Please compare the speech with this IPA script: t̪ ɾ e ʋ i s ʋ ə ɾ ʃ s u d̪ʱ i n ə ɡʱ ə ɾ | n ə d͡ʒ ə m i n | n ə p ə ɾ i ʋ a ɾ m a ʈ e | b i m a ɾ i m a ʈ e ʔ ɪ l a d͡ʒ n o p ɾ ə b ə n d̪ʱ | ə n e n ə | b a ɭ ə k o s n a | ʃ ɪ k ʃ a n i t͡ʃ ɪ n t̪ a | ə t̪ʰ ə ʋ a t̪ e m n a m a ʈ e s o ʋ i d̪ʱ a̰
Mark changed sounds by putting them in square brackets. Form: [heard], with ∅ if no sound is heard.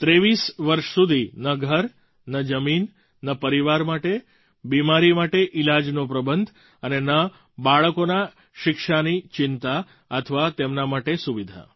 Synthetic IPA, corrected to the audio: t̪ ɾ e ʋ i s ʋ ə ɾ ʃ s u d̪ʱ i n ə ɡʱ ə ɾ | n ə d͡ʒ ə m i n | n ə p ə ɾ i ʋ a ɾ m a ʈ e | b i m a ɾ i m a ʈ e ʔ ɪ l a d͡ʒ n o p ɾ ə b ə n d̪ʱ | ə n e n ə | b a ɭ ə k o [∅] n a | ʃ ɪ k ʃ a n i t͡ʃ ɪ n t̪ a | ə t̪ʰ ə ʋ a t̪ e m n a m a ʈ e s [u] ʋ i d̪ʱ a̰